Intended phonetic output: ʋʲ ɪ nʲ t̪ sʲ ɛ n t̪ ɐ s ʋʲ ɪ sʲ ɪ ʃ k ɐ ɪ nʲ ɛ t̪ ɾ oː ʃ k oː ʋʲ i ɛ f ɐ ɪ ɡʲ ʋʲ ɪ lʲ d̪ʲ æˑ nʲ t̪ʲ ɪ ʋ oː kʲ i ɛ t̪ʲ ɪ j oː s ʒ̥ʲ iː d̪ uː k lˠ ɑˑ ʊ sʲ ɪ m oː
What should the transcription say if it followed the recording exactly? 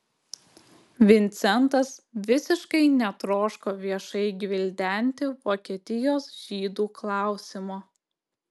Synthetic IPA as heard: ʋʲ ɪ nʲ t̪ sʲ ɛ n t̪ ɐ s ʋʲ ɪ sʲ ɪ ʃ k ɐ ɪ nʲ ɛ t̪ ɾ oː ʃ k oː ʋʲ i ɛ ʃ ɐ ɪ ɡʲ ʋʲ ɪ lʲ d̪ʲ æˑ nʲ t̪ʲ ɪ ʋ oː kʲ i ɛ t̪ʲ ɪ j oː s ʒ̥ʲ iː d̪ uː k lˠ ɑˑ ʊ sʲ ɪ m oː